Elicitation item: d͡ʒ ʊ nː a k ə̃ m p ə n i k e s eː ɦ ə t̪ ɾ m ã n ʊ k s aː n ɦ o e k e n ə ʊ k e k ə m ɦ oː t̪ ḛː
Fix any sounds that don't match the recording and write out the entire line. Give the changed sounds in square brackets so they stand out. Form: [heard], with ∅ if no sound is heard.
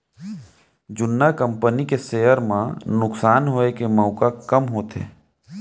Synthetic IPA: d͡ʒ ʊ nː a k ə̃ m p ə n i k e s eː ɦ ə [∅] ɾ m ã n ʊ k s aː n ɦ o e k e [m] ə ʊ k [a] k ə m ɦ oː t̪ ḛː